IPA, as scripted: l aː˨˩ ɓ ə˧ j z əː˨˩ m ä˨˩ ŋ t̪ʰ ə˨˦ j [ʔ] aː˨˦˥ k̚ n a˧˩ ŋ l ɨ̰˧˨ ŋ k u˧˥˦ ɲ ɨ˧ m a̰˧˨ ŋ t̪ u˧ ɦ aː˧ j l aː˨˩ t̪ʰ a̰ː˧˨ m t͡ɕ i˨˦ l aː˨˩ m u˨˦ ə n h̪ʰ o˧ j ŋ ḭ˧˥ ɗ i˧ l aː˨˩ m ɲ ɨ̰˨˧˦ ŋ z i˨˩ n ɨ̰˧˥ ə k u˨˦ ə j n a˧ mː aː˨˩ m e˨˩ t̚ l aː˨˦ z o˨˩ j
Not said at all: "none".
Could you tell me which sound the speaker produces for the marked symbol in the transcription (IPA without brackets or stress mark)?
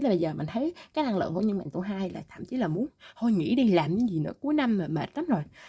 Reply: k